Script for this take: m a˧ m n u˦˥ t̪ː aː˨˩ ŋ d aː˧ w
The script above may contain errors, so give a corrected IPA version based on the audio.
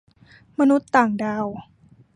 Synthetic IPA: m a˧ n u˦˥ t̪ː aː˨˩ ŋ d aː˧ w